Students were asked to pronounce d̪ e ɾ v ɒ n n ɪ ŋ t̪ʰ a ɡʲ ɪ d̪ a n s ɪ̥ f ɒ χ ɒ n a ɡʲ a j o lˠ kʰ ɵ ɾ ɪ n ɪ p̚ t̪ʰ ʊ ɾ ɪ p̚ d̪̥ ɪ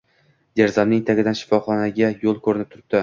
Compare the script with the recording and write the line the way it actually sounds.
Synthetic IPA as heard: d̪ e ɾ z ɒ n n ɪ ŋ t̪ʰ a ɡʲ ɪ d̪ a n ʃ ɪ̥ f ɒ χ ɒ n a ɡʲ a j o lˠ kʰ ɵ ɾ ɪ n ɪ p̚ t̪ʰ ʊ ɾ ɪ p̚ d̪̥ ɪ